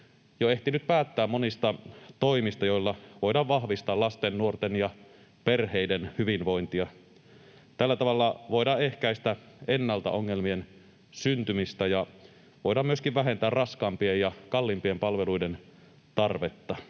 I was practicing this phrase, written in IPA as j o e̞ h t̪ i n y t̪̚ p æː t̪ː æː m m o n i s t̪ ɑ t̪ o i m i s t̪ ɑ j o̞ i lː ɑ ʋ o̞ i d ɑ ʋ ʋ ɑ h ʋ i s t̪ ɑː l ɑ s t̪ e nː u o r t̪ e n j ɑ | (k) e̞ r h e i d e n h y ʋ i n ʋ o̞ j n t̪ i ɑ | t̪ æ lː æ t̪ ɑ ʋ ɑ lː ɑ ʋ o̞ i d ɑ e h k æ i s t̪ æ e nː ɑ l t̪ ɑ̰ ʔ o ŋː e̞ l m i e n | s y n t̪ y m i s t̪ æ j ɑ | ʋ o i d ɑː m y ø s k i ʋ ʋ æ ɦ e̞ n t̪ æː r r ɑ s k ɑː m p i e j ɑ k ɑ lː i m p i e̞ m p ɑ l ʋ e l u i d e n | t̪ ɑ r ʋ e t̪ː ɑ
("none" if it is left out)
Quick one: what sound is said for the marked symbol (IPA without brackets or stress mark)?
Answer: p